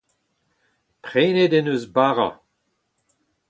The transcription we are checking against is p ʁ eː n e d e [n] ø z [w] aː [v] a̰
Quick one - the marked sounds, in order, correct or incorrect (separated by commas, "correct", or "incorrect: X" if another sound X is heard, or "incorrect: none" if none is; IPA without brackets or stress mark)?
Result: correct, incorrect: b, incorrect: ʁ